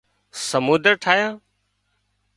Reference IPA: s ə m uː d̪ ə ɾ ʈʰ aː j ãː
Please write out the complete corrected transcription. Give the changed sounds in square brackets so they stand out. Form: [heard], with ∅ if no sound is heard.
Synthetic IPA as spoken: s ə m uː d̪ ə ɾ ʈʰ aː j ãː